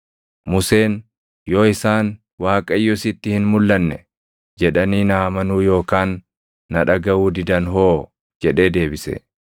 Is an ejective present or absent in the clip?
present